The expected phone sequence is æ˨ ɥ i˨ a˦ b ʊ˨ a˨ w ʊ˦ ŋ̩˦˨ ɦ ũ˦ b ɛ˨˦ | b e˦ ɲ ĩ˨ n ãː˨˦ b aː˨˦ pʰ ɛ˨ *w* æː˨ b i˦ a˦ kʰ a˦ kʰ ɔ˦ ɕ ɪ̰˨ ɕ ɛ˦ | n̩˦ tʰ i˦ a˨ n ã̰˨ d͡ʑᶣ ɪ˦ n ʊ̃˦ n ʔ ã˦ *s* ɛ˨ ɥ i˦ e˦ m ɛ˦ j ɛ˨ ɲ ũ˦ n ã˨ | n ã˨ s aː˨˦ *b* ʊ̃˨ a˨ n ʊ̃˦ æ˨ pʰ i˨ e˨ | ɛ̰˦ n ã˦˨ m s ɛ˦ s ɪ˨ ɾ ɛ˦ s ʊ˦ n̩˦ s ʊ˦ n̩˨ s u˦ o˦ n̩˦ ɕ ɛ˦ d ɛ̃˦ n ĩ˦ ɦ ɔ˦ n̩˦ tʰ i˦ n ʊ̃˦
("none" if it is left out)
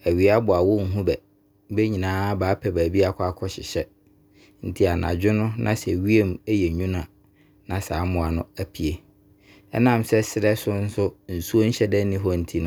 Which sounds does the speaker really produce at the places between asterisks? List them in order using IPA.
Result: b, s, m

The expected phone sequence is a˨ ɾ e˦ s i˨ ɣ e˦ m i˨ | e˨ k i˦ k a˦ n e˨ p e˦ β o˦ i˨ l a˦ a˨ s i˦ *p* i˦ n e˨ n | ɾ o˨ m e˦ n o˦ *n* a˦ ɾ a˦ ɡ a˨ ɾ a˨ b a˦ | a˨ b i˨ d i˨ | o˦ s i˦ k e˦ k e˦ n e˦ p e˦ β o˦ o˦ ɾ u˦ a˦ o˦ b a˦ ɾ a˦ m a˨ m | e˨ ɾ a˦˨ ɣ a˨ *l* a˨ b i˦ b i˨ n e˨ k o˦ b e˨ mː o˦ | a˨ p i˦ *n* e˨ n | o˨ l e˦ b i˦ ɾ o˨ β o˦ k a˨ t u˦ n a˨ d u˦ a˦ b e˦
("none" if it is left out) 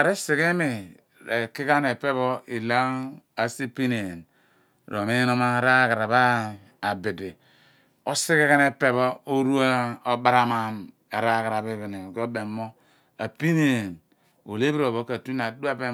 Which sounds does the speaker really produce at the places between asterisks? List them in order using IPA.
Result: p, m, ɾ, n

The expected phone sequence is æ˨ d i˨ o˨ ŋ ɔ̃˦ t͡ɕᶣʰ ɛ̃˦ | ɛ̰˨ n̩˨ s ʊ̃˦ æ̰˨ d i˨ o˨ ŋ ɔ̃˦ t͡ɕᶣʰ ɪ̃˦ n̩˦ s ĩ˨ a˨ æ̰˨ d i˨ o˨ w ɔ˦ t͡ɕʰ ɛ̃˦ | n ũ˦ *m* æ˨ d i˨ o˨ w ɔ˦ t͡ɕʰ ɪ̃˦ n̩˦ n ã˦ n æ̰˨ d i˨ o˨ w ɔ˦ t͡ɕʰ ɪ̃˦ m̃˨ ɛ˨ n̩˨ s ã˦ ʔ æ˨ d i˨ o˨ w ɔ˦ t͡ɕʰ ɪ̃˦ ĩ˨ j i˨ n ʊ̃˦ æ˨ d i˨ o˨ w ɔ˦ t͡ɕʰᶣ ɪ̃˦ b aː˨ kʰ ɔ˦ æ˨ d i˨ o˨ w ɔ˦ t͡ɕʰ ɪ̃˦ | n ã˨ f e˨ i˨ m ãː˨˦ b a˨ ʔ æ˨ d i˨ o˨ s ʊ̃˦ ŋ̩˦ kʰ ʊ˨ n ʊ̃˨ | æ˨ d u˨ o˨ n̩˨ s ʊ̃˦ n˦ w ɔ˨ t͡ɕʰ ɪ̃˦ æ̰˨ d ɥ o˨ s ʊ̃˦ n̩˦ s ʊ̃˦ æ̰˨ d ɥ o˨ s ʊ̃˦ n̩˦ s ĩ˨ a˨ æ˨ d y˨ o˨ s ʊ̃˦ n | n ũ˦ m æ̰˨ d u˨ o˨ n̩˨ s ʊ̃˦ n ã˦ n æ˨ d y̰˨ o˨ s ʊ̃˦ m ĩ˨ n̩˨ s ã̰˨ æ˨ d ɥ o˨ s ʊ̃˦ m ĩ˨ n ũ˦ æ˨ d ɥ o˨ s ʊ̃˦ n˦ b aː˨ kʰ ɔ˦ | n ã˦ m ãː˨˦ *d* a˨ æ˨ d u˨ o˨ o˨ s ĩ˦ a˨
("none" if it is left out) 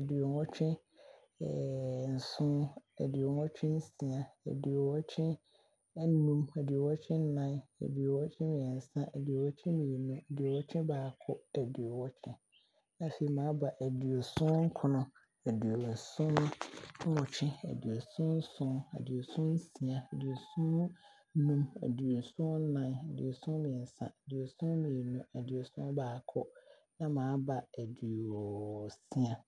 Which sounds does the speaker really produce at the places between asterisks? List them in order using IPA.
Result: m, b

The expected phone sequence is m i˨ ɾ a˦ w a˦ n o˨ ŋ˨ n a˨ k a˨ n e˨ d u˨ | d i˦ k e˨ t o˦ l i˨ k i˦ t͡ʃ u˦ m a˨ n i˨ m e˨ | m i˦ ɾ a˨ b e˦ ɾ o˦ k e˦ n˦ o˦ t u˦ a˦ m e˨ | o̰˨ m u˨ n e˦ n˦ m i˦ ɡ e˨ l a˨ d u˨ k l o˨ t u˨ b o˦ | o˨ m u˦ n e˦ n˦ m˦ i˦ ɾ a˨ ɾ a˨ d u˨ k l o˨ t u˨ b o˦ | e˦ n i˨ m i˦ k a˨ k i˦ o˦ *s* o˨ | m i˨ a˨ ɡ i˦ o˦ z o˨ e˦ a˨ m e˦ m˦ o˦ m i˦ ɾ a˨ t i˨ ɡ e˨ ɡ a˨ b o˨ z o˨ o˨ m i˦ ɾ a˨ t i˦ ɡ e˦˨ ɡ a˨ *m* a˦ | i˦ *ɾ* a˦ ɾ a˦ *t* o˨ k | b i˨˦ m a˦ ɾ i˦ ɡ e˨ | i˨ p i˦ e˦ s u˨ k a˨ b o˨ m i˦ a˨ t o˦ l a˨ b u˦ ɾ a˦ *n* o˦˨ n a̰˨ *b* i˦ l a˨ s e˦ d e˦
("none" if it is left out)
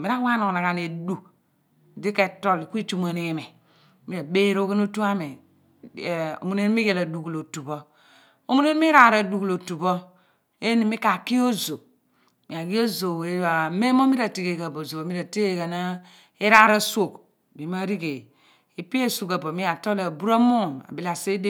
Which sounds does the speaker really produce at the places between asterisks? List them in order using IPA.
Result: z, n, ɾ, s, m, b

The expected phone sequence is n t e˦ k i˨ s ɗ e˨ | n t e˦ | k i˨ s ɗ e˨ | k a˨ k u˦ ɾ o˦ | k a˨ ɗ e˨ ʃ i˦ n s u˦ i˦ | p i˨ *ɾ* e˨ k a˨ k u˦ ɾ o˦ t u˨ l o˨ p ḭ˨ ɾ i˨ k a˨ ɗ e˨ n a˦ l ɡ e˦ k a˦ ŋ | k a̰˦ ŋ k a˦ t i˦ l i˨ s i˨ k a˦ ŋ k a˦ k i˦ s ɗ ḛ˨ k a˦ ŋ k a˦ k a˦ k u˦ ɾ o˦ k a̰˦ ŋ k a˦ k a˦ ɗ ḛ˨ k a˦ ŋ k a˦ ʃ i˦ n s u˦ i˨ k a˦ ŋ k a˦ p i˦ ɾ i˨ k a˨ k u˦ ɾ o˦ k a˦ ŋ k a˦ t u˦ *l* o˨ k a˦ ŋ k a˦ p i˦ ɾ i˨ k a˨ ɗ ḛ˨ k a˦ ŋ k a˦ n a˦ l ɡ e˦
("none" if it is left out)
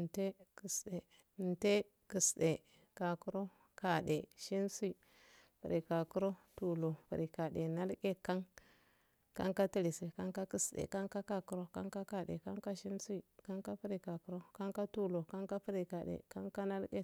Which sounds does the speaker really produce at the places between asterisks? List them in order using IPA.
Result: ɾ, l

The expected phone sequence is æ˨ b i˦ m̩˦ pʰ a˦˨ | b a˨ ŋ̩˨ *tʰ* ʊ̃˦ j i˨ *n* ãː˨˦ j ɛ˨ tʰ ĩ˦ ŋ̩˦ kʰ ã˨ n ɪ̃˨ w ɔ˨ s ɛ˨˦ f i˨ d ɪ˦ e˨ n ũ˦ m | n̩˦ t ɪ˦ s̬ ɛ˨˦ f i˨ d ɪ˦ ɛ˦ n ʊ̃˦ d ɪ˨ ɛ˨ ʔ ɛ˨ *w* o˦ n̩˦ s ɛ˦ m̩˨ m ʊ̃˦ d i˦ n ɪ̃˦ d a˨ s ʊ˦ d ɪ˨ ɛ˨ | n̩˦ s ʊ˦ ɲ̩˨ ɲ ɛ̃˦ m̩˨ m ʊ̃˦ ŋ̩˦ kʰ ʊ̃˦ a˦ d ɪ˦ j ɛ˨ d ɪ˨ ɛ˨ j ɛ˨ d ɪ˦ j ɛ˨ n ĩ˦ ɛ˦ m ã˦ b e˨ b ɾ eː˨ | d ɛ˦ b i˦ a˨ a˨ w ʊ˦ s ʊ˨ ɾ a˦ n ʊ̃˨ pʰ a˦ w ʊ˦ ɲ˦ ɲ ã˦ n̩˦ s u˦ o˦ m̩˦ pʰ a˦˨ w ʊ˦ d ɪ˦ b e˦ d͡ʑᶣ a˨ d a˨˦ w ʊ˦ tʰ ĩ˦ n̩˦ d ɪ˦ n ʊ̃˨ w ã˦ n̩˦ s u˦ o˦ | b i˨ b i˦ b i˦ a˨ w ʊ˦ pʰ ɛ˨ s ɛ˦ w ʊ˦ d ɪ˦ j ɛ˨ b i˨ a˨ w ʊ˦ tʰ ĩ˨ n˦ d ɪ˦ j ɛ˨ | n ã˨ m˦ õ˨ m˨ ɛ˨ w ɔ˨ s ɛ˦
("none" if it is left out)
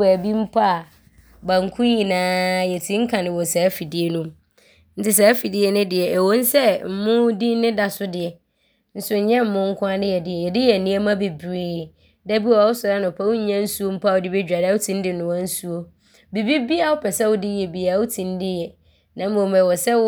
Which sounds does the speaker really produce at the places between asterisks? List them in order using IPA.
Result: kʰ, n, w

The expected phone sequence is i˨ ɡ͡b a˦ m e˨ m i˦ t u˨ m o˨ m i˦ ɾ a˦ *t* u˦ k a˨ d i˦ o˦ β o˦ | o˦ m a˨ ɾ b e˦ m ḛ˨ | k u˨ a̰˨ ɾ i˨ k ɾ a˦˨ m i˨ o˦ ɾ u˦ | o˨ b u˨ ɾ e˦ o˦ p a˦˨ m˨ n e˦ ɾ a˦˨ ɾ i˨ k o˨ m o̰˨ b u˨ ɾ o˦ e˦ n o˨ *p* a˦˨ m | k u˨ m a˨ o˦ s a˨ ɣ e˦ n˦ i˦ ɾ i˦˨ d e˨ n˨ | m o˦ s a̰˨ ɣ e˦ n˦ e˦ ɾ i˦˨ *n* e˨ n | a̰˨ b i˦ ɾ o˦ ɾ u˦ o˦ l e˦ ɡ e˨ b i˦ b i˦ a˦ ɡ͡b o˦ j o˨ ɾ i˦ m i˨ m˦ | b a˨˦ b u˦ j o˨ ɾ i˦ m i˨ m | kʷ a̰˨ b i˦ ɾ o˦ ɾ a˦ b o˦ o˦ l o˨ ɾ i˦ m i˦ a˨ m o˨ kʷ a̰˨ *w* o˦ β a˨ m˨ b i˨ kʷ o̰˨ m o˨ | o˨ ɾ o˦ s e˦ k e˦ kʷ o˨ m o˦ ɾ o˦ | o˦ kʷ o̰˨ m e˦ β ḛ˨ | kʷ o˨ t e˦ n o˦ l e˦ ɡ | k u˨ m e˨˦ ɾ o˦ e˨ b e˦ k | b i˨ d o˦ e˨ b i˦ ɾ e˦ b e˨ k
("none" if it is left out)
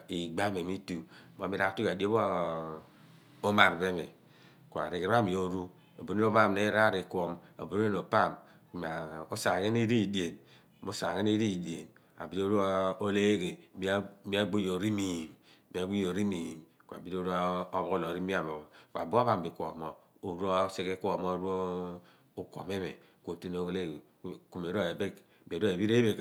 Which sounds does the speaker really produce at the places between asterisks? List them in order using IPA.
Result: t, p, d, b

